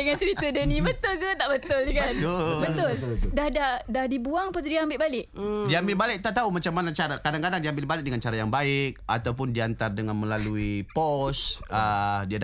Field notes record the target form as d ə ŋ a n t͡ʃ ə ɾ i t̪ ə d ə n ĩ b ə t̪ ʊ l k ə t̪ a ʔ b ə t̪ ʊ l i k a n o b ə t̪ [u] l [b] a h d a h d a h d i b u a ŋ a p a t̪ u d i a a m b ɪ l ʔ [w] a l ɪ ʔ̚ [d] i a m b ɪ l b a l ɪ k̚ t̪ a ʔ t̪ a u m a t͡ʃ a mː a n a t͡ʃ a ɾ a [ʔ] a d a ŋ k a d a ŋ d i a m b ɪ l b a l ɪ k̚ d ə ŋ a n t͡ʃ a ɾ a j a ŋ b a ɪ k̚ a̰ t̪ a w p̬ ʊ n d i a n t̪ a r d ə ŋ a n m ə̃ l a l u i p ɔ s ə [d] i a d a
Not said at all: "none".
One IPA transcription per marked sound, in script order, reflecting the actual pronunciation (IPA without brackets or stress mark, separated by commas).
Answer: ʊ, d, b, d, k, d